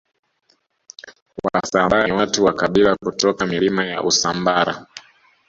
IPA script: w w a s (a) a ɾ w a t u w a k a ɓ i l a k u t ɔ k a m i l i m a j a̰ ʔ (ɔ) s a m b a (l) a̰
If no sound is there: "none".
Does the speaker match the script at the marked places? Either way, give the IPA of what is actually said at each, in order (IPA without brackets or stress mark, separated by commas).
a, u, ɾ